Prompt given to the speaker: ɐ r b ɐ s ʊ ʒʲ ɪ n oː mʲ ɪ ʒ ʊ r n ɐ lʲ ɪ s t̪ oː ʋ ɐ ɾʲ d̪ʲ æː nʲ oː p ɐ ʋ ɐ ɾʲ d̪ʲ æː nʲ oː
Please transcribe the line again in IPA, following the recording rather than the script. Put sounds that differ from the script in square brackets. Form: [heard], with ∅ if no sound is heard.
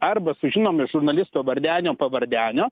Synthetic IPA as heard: ɐ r b ɐ s ʊ ʒʲ ɪ n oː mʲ ɪ ʒ ʊ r n ɐ lʲ ɪ s t̪ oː ʋ ɐ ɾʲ d̪ʲ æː nʲ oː p ɐ ʋ ɐ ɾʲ d̪ʲ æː nʲ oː